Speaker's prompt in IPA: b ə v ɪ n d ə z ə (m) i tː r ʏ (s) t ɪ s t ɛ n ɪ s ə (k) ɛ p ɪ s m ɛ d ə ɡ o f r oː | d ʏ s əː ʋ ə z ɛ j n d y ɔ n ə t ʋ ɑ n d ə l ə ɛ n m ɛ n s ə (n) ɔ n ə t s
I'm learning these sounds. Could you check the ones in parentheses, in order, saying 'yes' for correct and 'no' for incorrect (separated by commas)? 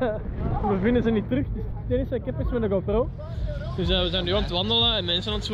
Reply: no, no, yes, yes